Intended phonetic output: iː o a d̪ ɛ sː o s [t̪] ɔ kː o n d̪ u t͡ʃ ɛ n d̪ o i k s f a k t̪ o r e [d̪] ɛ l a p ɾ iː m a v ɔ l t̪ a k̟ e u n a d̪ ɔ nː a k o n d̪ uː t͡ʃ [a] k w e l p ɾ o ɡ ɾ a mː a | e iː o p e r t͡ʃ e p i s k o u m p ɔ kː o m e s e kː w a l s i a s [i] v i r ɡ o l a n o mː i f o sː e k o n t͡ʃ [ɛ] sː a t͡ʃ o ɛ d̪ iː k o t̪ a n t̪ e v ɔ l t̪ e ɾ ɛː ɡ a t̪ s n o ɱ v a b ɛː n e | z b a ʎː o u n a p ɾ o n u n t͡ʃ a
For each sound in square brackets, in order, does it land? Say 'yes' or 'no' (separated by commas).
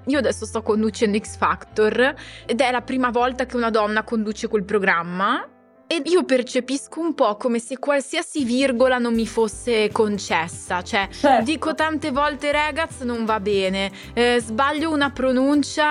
yes, yes, no, yes, yes